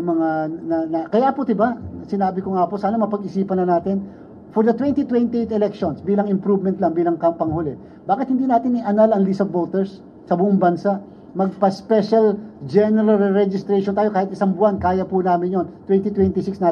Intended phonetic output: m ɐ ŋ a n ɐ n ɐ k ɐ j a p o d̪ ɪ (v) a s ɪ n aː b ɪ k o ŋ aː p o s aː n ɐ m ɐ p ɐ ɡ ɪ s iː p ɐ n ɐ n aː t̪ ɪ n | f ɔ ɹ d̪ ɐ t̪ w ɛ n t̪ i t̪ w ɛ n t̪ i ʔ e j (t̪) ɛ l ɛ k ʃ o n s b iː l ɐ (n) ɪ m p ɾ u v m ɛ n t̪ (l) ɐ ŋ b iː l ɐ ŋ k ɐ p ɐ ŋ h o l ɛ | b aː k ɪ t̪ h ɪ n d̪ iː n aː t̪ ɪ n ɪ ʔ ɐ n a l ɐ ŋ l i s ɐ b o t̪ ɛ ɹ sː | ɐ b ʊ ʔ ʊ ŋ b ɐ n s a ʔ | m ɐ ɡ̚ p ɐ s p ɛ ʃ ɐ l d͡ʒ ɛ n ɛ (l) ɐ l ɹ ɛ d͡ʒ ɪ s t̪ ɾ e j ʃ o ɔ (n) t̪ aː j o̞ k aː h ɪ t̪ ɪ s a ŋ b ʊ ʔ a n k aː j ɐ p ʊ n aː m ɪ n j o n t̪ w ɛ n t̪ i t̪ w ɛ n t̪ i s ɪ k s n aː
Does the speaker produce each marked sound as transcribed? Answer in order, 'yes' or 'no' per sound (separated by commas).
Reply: no, yes, no, yes, no, yes